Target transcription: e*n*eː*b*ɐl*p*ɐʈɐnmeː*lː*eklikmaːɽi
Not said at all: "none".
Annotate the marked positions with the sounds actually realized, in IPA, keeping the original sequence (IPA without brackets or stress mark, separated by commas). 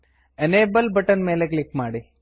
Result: n, b, b, l